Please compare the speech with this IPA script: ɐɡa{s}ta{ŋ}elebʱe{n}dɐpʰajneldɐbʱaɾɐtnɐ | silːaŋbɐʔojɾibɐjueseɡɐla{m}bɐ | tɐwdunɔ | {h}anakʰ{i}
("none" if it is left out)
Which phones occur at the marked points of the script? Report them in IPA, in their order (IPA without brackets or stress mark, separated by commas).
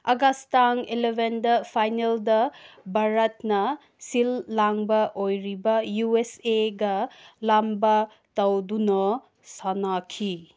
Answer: s, ŋ, n, m, s, i